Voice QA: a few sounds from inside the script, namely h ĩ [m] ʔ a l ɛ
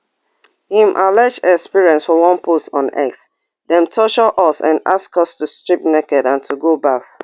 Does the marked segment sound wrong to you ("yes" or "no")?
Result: no